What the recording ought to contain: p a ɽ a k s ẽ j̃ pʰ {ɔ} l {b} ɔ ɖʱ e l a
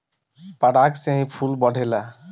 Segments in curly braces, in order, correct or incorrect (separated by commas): incorrect, correct